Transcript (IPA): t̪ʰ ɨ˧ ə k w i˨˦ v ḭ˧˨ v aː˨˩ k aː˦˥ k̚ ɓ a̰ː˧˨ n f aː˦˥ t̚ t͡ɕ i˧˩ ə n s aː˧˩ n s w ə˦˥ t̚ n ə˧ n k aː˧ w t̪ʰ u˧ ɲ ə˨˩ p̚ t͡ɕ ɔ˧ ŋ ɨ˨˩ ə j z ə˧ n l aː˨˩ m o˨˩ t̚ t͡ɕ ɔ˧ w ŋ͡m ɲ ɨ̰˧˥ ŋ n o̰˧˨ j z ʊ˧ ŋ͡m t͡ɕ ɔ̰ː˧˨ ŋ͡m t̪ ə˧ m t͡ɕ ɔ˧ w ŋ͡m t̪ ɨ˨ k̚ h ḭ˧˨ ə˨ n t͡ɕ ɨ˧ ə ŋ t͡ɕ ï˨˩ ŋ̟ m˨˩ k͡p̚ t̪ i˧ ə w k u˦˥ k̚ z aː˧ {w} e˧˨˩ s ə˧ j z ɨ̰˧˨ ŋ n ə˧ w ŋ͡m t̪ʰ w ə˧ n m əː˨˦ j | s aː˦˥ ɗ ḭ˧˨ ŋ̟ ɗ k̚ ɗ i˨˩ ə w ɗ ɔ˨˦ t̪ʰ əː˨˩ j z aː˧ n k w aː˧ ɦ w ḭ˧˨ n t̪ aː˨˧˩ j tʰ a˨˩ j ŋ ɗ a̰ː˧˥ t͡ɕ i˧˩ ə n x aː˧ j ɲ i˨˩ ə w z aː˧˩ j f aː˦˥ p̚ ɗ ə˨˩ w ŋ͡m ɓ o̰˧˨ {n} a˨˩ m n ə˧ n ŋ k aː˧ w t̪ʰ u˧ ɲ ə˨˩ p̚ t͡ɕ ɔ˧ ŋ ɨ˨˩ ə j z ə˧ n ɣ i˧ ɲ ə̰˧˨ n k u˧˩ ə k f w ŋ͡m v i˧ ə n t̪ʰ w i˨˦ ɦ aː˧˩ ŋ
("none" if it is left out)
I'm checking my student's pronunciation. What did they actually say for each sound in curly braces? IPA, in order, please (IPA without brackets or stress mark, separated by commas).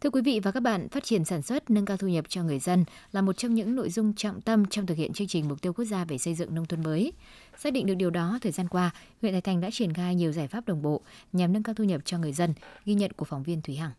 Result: v, ɲ